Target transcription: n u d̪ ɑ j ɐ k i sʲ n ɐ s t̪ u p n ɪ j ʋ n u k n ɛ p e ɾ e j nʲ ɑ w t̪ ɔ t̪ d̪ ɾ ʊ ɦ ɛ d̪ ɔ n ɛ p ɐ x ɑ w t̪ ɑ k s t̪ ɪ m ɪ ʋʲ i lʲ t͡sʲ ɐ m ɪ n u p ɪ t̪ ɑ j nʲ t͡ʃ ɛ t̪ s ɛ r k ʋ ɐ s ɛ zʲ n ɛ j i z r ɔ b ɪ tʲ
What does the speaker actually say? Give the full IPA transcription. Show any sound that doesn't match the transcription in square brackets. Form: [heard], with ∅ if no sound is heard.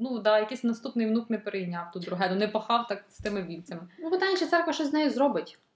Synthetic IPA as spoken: n u d̪ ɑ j ɐ k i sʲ n ɐ s t̪ u p n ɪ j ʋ n u k n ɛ p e ɾ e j nʲ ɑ w t̪ [u] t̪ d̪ ɾ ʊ ɦ ɛ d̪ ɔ n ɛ p ɐ x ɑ w t̪ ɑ k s t̪ ɪ m ɪ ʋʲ i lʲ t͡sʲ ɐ m ɪ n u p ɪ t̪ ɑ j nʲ t͡ʃ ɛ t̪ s ɛ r k ʋ ɐ [ʃ] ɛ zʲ n ɛ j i z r ɔ b ɪ tʲ